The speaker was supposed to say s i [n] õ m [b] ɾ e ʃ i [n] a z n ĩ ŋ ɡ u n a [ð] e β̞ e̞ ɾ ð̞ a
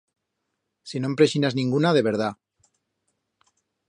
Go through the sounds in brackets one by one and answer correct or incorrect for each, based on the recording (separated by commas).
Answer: correct, incorrect, correct, correct